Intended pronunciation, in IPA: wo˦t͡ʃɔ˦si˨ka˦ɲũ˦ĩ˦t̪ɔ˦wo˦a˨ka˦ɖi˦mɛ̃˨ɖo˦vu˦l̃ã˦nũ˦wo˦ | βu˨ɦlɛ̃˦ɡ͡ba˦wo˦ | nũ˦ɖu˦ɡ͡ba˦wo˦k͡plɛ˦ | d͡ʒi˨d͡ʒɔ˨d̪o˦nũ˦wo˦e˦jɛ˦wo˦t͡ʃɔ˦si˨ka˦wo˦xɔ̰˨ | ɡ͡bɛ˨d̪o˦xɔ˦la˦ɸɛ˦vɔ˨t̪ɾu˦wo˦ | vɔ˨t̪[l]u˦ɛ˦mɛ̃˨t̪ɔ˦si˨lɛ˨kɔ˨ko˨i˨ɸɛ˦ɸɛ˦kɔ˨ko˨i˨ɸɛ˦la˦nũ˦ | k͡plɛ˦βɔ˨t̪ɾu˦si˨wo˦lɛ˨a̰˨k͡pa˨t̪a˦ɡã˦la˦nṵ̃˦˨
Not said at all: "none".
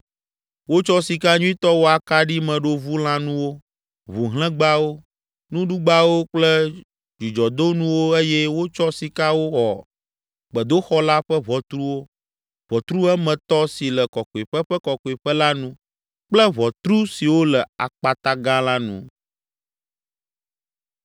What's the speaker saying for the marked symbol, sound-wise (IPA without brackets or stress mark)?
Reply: ɾ